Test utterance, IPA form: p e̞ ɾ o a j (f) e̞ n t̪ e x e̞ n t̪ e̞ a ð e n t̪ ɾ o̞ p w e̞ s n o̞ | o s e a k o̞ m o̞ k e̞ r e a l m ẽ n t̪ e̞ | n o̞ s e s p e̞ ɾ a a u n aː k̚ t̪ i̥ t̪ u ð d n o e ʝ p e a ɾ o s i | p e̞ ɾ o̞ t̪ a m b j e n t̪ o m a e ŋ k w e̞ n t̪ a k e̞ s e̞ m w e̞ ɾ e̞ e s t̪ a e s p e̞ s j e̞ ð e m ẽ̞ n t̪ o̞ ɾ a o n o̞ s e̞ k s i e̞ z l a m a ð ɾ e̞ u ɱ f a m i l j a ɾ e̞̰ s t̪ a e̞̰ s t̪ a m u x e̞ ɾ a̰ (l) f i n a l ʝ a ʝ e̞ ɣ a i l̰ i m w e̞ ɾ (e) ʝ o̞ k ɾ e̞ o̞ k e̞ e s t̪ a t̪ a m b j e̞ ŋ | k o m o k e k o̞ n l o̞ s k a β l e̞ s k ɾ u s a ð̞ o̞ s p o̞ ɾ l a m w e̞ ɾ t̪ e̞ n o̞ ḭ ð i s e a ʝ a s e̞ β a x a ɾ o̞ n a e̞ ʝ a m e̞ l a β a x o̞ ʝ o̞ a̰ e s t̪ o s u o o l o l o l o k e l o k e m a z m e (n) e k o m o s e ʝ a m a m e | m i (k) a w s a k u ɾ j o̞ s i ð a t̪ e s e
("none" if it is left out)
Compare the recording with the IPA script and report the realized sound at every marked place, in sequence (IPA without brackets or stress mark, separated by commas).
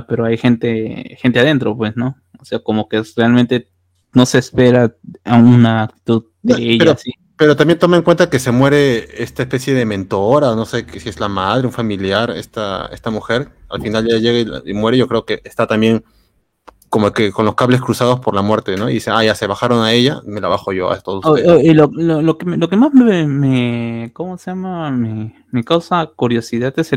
x, l, e, m, k